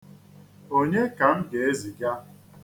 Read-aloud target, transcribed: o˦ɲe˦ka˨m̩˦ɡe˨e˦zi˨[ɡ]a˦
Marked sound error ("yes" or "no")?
no